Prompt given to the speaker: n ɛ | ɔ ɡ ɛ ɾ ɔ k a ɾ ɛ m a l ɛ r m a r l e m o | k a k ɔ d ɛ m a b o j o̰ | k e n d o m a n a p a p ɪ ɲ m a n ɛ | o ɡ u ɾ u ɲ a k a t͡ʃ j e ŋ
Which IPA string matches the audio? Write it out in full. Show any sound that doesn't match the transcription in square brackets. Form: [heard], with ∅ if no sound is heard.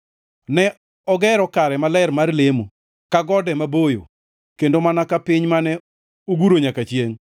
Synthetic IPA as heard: n ɛ | ɔ ɡ ɛ ɾ ɔ k a ɾ ɛ m a l ɛ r m a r l e m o | k a [ɡ] ɔ d ɛ m a b o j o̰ | k e n d o m a n a [k] a p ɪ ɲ m a n ɛ | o ɡ u ɾ [o] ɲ a k a t͡ʃ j e ŋ